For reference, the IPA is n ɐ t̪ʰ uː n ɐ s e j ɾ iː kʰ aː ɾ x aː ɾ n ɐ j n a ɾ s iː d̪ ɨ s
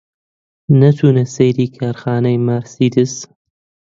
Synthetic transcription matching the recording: n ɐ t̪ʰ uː n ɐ s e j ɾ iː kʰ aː ɾ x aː n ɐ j m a ɾ s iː d̪ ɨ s